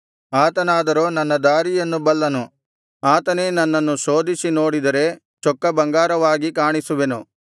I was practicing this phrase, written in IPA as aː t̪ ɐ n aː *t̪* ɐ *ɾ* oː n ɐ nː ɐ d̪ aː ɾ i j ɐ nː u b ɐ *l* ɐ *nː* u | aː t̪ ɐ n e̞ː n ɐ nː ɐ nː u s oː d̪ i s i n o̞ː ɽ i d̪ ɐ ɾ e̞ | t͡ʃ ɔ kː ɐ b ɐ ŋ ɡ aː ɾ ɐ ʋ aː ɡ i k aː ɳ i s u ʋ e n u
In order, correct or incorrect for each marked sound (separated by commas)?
incorrect, correct, incorrect, incorrect